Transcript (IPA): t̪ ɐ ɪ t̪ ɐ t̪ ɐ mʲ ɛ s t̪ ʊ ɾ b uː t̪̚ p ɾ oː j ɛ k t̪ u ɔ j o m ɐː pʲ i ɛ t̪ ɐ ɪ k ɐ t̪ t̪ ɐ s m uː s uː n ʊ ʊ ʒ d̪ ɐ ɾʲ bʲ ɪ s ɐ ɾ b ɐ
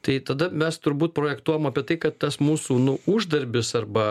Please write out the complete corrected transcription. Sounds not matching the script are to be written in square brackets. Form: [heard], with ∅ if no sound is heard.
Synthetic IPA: t̪ ɐ ɪ t̪ ɐ [d̪] ɐ mʲ ɛ s t̪ ʊ ɾ b uː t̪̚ p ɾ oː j ɛ k t̪ u ɔ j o m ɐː pʲ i ɛ t̪ ɐ ɪ k ɐ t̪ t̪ ɐ s m uː s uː n ʊ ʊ ʒ d̪ ɐ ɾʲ bʲ ɪ s ɐ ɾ b ɐ